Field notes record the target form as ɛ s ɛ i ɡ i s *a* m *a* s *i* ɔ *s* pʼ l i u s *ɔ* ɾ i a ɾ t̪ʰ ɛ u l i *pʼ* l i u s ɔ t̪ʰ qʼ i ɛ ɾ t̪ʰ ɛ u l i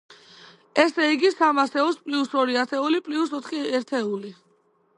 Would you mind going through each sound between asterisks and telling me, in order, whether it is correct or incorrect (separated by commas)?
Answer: correct, correct, incorrect, correct, correct, correct